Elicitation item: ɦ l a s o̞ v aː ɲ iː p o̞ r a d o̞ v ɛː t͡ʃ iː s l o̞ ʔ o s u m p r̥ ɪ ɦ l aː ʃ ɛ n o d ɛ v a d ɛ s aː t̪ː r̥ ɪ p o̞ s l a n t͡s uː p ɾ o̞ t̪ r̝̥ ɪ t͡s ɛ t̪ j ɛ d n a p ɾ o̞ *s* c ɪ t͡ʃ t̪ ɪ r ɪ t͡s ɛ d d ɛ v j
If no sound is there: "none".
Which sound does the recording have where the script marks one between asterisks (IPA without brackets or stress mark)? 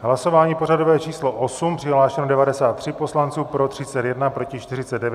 none